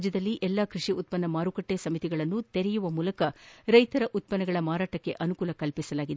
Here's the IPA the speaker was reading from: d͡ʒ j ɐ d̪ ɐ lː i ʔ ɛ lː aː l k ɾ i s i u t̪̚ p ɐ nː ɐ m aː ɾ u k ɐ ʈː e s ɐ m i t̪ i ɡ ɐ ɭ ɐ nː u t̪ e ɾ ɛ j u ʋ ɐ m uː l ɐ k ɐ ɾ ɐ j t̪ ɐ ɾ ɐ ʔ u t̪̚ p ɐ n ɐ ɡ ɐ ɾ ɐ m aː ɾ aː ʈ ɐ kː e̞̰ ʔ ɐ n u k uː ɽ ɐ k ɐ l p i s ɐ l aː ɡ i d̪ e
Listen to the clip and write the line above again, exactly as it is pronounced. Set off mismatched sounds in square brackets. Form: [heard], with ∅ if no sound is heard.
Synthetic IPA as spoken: d͡ʒ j ɐ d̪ ɐ lː i ʔ ɛ lː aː [∅] k ɾ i [ʂ] i u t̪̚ p ɐ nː ɐ m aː ɾ u k ɐ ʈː e s ɐ m i t̪ i ɡ ɐ ɭ ɐ nː u t̪ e ɾ ɛ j u ʋ ɐ m uː l ɐ k ɐ ɾ ɐ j t̪ ɐ ɾ ɐ ʔ u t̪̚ p ɐ n ɐ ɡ ɐ [ɭ] ɐ m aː ɾ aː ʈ ɐ kː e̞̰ ʔ ɐ n u k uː [l] ɐ k ɐ l p i s ɐ l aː ɡ i d̪ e